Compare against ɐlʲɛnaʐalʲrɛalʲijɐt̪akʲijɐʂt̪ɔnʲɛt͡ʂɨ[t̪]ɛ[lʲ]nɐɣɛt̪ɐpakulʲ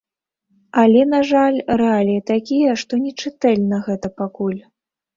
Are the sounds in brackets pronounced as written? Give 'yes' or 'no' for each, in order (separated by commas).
yes, yes